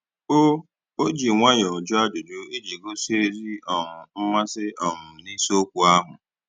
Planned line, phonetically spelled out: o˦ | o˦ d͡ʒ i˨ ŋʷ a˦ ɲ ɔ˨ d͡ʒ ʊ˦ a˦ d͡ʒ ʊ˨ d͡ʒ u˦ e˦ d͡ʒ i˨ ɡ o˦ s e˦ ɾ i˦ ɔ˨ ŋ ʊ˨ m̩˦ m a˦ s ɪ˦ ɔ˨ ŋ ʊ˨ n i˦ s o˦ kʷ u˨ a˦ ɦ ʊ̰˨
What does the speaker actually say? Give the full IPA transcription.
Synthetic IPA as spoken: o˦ | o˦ d͡ʒ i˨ ŋʷ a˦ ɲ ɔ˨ d͡ʒ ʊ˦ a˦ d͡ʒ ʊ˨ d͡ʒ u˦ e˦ d͡ʒ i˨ ɡ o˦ s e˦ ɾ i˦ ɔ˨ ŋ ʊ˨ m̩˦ m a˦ s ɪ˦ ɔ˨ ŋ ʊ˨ n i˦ s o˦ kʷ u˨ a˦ ɦ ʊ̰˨